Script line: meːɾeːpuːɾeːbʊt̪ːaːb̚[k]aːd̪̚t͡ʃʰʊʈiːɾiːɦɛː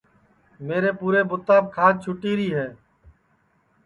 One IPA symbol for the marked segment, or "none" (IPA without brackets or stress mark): kʰ